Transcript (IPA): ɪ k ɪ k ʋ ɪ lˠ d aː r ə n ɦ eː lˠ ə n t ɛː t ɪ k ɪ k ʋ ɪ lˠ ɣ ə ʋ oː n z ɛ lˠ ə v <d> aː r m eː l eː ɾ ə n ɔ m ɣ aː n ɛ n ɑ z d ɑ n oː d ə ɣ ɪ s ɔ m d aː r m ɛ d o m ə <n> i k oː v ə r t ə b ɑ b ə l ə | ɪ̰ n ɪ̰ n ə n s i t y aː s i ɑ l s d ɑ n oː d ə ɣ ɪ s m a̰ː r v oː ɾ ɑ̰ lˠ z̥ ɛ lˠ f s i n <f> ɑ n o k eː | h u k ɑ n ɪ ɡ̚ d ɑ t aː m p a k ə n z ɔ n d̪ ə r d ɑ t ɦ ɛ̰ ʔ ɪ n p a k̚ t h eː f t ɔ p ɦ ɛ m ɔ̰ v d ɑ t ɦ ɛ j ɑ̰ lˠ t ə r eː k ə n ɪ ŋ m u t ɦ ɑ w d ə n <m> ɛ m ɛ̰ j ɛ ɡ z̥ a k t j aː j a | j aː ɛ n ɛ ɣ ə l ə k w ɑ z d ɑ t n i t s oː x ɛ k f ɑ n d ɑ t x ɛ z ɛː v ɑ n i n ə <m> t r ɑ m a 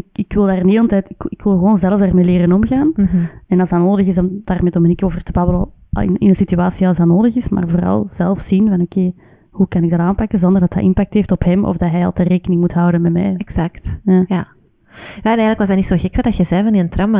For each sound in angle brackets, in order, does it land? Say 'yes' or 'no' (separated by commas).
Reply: yes, yes, no, yes, no